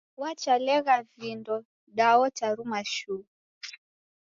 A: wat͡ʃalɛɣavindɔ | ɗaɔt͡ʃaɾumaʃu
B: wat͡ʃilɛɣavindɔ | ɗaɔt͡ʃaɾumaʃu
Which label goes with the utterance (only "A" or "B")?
A